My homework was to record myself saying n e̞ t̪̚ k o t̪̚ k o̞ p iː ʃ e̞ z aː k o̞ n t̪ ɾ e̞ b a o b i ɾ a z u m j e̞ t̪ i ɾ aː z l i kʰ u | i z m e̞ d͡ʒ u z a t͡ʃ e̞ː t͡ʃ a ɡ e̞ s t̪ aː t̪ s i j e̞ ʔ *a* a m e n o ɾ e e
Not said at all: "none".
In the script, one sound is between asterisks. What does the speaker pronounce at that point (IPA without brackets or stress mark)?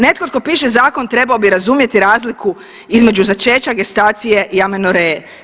i